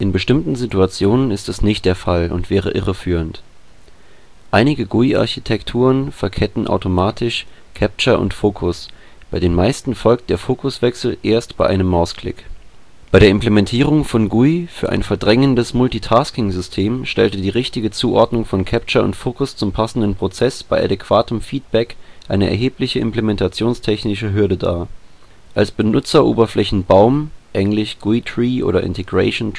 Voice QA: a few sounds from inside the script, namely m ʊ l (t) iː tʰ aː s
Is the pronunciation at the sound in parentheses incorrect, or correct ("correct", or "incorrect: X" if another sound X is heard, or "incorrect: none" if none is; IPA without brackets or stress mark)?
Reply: correct